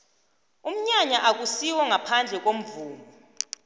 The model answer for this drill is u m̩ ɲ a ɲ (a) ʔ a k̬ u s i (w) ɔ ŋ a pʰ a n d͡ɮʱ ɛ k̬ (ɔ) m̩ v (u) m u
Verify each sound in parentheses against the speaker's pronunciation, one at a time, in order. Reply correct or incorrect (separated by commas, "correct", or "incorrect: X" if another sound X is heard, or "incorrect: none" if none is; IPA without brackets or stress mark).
correct, correct, incorrect: o, incorrect: uː